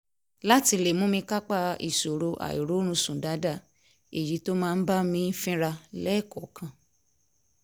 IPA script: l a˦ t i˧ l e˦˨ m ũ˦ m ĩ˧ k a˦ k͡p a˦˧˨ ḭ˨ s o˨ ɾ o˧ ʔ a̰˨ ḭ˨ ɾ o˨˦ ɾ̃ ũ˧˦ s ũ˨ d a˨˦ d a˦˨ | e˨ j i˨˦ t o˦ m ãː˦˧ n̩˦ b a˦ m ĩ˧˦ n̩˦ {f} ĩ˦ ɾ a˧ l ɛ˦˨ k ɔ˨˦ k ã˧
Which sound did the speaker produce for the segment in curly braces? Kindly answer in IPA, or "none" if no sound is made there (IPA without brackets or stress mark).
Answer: f